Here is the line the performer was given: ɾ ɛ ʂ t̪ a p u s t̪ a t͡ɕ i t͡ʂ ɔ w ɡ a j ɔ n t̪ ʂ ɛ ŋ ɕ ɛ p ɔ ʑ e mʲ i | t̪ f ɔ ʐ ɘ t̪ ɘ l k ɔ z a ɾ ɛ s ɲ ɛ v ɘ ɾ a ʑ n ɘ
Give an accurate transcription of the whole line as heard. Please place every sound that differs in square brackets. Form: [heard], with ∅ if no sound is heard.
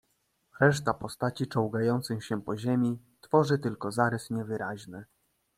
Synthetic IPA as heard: ɾ ɛ ʂ t̪ a p [ɔ] s t̪ a t͡ɕ i t͡ʂ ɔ w ɡ a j ɔ n t̪ [s] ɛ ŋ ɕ ɛ p ɔ ʑ e mʲ i | t̪ f ɔ ʐ ɘ t̪ ɘ l k ɔ z a ɾ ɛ s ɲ ɛ v ɘ ɾ a ʑ n ɘ